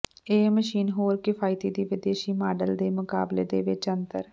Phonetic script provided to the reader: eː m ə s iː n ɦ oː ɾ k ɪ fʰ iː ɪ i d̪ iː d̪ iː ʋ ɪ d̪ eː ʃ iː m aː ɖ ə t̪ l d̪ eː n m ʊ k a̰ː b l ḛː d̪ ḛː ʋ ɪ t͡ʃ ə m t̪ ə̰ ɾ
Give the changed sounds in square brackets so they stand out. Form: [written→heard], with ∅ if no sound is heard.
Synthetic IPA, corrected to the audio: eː m ə [s→ʃ] iː n ɦ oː ɾ k ɪ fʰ [iː→aː] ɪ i [d̪→t̪] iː d̪ iː ʋ ɪ d̪ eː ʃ iː m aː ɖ ə [t̪→∅] l d̪ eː [n→∅] m ʊ k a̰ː b l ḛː d̪ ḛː ʋ ɪ t͡ʃ ə [m→n] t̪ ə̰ ɾ